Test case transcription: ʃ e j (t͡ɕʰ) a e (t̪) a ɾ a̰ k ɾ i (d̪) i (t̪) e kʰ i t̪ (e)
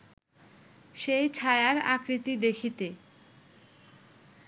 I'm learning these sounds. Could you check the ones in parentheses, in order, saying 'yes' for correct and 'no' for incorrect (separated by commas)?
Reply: yes, no, no, no, yes